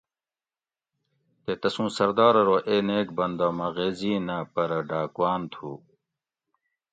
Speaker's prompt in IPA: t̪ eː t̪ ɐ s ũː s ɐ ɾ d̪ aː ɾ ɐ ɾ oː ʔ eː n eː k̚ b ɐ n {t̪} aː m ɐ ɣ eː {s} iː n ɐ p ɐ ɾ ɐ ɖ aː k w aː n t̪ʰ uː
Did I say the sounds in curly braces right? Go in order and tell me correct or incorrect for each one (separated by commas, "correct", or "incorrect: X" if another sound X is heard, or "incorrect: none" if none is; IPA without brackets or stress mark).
incorrect: d̪, incorrect: z